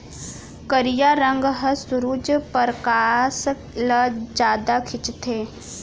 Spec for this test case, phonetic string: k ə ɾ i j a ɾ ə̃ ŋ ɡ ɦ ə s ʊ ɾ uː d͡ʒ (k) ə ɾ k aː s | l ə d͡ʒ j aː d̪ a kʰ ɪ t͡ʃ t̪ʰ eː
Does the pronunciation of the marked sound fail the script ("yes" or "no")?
yes